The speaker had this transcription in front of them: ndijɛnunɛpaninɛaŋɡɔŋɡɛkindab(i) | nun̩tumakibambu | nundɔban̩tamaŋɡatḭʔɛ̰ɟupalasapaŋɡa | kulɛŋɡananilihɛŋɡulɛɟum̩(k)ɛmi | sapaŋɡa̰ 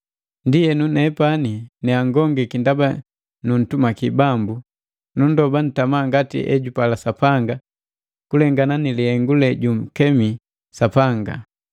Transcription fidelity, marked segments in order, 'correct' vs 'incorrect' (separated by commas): incorrect, correct